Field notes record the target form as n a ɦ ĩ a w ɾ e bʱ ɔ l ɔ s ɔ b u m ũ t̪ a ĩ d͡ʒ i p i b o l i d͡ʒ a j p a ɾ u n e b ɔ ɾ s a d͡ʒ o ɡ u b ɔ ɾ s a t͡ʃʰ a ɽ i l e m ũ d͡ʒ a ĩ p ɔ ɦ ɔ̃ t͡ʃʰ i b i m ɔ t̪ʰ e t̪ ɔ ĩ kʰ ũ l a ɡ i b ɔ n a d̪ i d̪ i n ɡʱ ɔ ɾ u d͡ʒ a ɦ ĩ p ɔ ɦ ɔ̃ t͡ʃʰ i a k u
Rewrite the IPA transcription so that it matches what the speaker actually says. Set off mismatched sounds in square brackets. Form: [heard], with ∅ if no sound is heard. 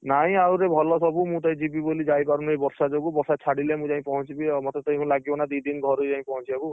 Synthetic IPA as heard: n a ɦ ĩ a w ɾ e bʱ ɔ l ɔ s ɔ b u m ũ t̪ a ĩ d͡ʒ i [b] i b o l i d͡ʒ a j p a ɾ u n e b ɔ ɾ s a d͡ʒ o ɡ u b ɔ ɾ s a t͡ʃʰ a ɽ i l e m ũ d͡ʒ a ĩ p ɔ ɦ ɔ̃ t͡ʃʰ i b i m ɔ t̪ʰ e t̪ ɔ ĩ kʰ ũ l a ɡ i b ɔ n a d̪ i d̪ i n ɡʱ ɔ ɾ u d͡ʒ a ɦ ĩ p ɔ ɦ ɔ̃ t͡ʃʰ i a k u